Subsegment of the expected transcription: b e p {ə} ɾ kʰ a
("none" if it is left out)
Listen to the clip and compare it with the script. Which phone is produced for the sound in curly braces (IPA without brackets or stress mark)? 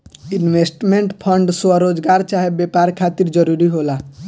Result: a